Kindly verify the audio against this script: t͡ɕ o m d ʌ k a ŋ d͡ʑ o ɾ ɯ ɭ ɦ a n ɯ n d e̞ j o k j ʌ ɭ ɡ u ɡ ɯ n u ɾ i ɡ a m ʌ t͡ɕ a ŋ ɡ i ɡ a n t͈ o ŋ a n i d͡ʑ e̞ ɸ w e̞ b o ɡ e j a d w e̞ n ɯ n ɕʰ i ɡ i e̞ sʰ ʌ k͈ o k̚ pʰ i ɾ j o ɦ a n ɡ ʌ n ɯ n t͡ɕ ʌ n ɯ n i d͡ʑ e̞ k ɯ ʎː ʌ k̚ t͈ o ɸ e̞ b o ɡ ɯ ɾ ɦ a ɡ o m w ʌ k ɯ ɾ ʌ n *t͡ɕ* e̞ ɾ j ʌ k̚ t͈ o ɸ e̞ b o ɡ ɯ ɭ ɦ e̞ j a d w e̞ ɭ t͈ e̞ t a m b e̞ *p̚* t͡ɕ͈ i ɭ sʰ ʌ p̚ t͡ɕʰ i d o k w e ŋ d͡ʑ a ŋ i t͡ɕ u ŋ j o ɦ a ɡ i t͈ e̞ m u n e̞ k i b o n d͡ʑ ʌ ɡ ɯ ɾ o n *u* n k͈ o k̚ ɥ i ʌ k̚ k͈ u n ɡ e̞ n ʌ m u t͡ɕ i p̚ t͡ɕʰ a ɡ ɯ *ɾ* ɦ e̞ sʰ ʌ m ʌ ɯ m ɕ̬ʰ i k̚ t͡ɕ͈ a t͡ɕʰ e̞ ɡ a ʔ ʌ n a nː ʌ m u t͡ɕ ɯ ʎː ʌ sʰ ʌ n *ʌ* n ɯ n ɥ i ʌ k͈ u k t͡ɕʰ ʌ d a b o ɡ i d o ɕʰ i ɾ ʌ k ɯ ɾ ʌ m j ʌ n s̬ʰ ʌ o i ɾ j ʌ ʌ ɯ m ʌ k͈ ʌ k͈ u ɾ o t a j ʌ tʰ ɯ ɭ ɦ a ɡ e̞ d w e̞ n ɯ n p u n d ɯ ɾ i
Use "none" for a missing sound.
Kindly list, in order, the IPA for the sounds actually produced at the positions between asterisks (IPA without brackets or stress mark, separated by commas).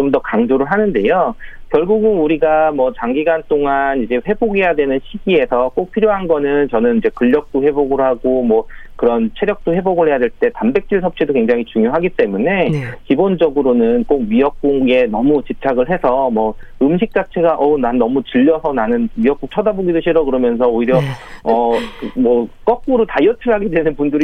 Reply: t͡ɕʰ, k̚, ɯ, ɭ, a